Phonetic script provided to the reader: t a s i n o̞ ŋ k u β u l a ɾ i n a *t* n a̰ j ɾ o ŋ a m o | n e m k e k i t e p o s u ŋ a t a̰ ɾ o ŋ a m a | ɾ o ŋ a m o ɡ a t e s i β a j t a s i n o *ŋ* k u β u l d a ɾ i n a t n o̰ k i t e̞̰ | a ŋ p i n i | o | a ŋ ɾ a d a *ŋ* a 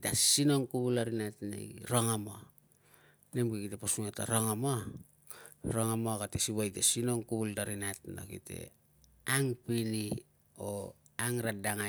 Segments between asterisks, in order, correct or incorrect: correct, correct, correct

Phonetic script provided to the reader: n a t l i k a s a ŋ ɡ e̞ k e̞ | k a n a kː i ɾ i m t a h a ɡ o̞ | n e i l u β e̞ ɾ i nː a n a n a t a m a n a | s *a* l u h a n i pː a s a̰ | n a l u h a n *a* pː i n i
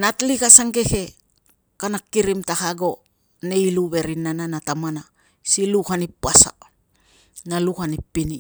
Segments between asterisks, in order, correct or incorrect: incorrect: i, incorrect: i

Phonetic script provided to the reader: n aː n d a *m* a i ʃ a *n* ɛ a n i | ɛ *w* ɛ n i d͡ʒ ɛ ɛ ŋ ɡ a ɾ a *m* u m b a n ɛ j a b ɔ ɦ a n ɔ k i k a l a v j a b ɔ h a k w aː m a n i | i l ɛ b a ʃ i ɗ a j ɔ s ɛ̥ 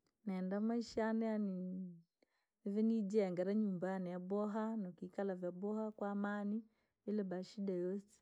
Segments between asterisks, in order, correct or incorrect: correct, correct, incorrect: v, incorrect: ɲ

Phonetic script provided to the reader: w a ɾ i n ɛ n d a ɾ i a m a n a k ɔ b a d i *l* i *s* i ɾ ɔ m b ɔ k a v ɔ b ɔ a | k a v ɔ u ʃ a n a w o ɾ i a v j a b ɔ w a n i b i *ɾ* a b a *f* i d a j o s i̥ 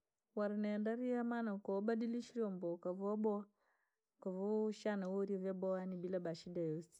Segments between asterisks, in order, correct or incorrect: correct, incorrect: ʃ, incorrect: l, incorrect: ʃ

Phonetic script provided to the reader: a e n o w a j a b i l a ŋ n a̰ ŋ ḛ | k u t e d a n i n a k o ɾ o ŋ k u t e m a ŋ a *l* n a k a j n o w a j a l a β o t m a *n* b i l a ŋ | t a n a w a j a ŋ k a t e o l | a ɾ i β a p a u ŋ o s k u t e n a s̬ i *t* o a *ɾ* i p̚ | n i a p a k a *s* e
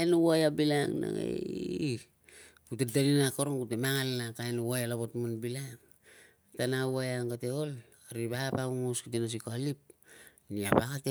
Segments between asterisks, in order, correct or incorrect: correct, correct, incorrect: k, incorrect: l, incorrect: t

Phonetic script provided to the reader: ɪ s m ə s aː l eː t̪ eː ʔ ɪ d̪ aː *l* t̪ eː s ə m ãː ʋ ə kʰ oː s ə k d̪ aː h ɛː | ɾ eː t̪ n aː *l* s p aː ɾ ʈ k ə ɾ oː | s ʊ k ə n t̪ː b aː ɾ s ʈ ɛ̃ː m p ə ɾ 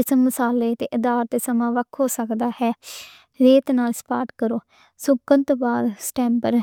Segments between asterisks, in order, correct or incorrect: incorrect: ɾ, correct

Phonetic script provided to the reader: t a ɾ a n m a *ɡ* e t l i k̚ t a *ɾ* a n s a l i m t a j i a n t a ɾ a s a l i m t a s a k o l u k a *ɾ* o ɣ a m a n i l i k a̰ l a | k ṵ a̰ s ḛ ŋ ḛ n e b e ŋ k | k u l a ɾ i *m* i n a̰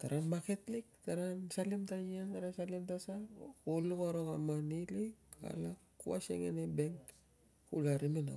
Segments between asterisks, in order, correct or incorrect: incorrect: k, correct, correct, correct

